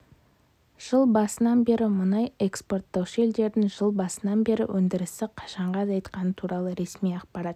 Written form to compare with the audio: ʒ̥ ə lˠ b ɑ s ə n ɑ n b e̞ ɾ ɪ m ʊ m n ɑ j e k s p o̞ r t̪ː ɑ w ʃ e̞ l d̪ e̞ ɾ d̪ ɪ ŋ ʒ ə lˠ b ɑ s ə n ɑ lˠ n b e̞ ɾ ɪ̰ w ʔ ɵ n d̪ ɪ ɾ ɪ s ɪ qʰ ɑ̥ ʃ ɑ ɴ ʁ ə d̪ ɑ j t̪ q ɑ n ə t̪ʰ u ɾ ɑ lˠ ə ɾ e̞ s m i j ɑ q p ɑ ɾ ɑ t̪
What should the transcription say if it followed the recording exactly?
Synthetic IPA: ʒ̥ ə lˠ b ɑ s ə n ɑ n b e̞ ɾ ɪ m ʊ n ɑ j e k s p o̞ r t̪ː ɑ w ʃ e̞ l d̪ e̞ ɾ d̪ ɪ ŋ ʒ ə lˠ b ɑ s ə n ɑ n b e̞ ɾ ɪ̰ w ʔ ɵ n d̪ ɪ ɾ ɪ s ɪ qʰ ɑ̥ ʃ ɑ ɴ ʁ ɑ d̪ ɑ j t̪ q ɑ n ə t̪ʰ u ɾ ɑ lˠ ə ɾ e̞ s m i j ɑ q p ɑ ɾ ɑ t̪